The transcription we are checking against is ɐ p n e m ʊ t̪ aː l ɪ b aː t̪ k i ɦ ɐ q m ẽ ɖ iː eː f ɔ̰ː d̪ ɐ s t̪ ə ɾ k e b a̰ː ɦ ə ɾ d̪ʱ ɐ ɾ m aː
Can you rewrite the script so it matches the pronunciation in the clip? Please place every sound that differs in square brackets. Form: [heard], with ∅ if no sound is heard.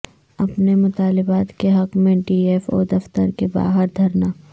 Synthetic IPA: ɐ p n e m ʊ t̪ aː l ɪ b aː t̪ k [e] ɦ ɐ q m ẽ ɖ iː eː f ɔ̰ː d̪ ɐ [f] t̪ ə ɾ k e b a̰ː ɦ ə ɾ d̪ʱ ɐ ɾ [n] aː